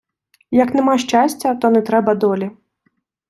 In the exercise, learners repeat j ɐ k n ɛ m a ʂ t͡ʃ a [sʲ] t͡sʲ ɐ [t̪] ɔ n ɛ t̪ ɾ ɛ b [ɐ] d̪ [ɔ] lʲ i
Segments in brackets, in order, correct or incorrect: correct, correct, correct, correct

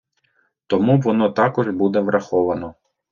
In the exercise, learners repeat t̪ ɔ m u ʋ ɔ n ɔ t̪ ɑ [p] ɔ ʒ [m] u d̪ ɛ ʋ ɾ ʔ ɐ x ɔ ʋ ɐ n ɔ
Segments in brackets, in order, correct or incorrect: incorrect, incorrect

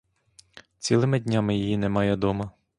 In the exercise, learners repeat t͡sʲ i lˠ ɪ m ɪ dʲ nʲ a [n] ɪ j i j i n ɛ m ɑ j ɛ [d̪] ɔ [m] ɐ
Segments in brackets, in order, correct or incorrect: incorrect, correct, correct

